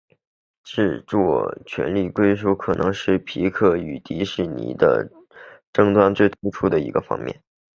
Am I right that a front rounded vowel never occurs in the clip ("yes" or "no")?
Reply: no